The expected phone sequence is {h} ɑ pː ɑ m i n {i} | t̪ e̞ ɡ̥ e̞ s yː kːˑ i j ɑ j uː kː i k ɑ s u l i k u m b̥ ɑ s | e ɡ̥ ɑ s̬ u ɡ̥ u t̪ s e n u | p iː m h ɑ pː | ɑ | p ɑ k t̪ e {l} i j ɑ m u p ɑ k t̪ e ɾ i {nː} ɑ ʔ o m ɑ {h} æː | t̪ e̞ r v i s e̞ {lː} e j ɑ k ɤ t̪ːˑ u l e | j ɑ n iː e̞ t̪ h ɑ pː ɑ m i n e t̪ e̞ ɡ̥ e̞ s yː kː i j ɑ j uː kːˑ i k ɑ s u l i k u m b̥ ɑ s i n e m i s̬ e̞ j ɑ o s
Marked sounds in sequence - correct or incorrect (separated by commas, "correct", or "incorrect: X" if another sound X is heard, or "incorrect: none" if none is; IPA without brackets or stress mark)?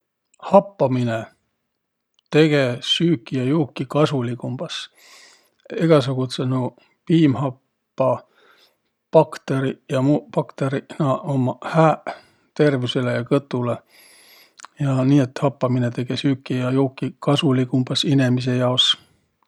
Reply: correct, incorrect: e, incorrect: ɾ, incorrect: n, correct, incorrect: l